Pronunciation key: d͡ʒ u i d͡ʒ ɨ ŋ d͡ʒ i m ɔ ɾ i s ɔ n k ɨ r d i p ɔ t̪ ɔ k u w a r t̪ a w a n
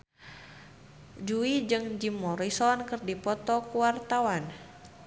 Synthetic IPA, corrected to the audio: d͡ʒ u i d͡ʒ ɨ ŋ d͡ʒ i m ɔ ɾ i s ɔ n k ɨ r d i p ɔ t̪ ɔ k u w a r t̪ a w a n